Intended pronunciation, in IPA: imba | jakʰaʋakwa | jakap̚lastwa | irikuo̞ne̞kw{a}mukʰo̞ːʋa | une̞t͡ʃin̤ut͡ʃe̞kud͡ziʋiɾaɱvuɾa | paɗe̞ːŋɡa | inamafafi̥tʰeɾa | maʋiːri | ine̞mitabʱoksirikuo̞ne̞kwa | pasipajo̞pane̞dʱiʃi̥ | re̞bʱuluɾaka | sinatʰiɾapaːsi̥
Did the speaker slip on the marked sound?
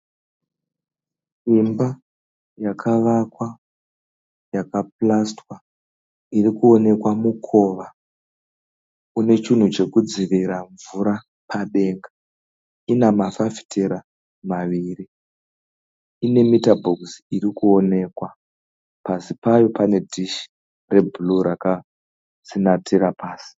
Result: no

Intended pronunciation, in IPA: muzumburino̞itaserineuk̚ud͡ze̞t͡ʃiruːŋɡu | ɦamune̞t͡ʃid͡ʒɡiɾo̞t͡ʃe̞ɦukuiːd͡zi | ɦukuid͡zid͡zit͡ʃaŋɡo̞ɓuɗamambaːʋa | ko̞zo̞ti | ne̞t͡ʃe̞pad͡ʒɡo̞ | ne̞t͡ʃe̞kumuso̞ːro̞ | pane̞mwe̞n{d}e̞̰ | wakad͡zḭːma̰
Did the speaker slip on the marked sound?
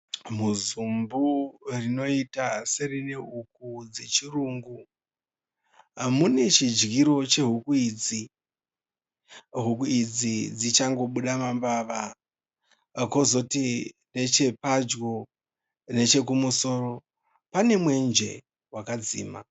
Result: yes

